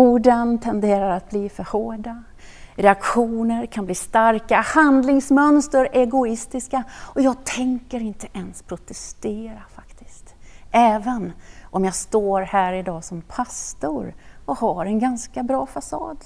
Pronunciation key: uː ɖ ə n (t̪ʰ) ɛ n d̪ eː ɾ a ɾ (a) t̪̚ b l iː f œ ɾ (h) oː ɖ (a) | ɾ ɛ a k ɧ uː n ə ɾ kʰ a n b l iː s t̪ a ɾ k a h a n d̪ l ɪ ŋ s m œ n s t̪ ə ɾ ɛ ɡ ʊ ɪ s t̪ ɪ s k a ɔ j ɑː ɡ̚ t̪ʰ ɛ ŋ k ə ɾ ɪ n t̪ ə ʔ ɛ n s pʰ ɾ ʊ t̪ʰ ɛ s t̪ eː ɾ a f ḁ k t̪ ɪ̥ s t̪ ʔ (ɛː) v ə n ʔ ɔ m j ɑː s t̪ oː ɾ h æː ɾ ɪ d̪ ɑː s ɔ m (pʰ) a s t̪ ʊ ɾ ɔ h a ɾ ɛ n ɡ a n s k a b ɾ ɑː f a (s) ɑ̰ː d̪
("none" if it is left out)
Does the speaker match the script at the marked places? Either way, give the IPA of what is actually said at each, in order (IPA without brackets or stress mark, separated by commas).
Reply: t̪ʰ, a, h, a, ɛː, pʰ, s